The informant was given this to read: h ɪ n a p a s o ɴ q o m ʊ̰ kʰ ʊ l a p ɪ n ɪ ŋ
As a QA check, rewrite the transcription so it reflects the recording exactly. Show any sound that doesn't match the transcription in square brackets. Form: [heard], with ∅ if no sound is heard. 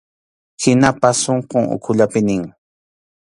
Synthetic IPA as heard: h ɪ n a p a s o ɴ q o [ŋ] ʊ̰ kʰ ʊ [ʎ] a p ɪ n ɪ ŋ